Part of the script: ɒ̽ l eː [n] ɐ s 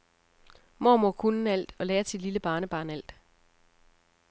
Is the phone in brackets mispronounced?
yes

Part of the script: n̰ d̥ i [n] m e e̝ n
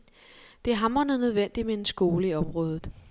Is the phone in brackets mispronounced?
yes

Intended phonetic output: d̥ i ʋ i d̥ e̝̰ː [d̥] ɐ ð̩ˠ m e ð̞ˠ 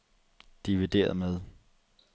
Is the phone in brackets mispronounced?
yes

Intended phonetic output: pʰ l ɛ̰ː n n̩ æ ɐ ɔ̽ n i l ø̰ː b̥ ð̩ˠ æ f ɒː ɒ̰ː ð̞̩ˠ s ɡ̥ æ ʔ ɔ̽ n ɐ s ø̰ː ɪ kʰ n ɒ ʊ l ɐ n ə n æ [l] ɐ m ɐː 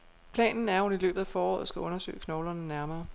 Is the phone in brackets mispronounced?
yes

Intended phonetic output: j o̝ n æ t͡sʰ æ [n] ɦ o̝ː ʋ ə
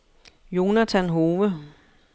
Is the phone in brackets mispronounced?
no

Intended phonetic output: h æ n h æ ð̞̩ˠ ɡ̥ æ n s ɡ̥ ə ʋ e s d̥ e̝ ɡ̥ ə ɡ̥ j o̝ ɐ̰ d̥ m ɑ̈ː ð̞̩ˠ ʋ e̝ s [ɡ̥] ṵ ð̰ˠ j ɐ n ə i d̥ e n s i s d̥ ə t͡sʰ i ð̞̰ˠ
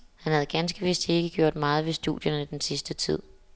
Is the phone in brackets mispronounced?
yes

